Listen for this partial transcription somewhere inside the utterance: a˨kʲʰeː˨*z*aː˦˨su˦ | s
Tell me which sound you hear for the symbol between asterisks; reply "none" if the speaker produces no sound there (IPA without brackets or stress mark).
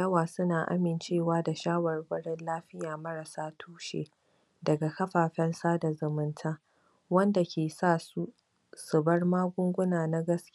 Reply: s